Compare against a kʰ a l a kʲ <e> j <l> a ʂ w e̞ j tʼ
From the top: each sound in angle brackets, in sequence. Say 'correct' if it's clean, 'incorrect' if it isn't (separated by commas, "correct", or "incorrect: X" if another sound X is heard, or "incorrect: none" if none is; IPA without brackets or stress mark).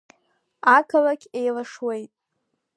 correct, correct